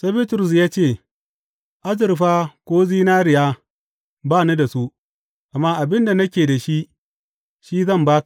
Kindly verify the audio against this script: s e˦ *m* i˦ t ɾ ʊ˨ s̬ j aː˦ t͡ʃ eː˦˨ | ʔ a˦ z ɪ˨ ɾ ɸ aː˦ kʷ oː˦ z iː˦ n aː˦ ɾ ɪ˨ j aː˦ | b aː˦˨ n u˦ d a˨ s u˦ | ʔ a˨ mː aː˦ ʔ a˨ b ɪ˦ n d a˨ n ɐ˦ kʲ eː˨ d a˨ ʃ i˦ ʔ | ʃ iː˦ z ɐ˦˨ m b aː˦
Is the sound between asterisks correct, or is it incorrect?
incorrect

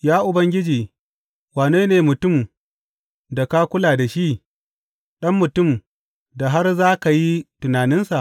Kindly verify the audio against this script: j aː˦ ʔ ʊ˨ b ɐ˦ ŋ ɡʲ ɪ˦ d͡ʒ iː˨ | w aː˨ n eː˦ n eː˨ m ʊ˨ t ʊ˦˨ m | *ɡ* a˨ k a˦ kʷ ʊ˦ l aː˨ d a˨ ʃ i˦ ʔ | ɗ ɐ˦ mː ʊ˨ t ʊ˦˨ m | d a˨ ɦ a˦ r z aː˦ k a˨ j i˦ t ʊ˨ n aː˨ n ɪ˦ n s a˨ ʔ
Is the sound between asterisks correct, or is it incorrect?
incorrect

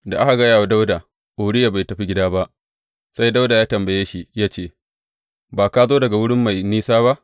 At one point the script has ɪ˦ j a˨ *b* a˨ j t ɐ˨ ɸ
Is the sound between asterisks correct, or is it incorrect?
correct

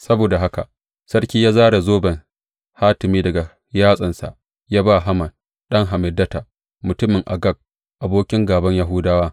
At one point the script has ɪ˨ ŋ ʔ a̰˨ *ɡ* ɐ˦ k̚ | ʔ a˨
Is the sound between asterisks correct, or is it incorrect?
correct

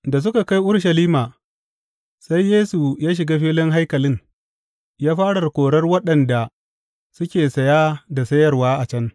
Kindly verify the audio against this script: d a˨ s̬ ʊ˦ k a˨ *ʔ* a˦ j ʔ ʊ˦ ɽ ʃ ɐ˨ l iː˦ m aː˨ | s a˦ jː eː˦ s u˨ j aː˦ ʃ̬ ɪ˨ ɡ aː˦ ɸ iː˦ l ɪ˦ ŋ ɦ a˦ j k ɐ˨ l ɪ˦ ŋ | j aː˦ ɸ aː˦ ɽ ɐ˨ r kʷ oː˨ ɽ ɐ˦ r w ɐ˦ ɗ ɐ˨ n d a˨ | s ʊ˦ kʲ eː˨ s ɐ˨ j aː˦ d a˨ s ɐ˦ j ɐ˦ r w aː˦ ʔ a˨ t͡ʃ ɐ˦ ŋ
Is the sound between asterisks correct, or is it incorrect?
incorrect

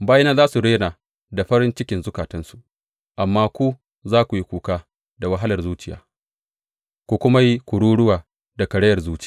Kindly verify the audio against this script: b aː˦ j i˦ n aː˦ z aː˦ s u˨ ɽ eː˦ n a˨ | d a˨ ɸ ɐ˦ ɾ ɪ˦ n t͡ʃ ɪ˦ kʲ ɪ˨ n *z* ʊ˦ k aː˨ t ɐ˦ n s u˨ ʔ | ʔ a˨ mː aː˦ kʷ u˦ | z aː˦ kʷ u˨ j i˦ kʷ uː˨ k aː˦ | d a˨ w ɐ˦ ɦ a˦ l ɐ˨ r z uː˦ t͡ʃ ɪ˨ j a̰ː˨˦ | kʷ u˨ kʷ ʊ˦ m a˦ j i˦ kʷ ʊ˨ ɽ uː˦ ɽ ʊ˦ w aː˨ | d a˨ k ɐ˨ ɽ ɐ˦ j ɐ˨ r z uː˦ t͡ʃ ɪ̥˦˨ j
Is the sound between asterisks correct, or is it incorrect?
correct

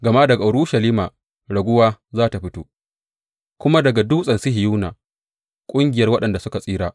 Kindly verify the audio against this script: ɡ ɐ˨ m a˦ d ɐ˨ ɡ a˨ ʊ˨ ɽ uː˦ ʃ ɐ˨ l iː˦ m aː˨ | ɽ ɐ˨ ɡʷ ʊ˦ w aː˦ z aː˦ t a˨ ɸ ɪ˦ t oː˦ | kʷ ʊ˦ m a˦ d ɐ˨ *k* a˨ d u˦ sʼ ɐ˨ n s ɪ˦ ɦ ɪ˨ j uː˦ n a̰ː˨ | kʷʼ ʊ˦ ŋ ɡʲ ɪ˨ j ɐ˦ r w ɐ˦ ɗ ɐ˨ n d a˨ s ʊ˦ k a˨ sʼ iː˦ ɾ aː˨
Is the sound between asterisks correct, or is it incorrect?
incorrect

